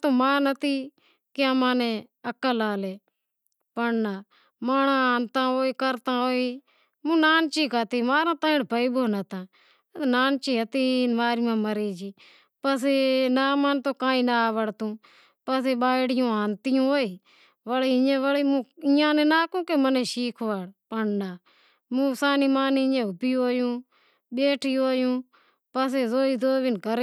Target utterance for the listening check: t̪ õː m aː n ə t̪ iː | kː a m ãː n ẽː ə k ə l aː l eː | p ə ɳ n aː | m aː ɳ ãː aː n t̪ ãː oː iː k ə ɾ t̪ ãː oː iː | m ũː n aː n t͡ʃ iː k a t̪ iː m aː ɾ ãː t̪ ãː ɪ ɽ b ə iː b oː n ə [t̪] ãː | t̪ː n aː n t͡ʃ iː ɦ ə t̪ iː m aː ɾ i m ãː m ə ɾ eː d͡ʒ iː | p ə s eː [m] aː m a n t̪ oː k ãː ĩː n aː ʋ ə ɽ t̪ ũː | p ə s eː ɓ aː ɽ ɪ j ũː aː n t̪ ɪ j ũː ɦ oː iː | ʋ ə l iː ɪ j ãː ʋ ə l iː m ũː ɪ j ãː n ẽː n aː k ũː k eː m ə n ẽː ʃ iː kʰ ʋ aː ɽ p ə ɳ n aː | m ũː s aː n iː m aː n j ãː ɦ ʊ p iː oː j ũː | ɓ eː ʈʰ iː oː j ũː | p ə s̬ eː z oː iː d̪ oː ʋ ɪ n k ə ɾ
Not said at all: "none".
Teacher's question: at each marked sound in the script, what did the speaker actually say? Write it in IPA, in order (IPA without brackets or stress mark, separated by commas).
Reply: t̪, n